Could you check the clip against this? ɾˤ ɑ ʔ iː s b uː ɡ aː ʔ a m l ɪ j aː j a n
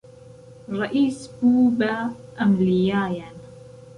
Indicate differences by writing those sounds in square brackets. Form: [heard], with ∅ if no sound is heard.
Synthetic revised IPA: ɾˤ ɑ ʔ iː s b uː [b] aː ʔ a m l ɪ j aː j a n